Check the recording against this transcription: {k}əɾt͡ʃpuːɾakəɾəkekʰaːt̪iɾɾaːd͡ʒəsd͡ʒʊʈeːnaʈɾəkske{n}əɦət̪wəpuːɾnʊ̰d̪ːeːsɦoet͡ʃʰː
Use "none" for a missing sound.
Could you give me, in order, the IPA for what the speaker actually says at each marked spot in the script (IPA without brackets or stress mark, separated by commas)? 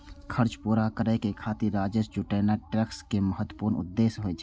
kʰ, m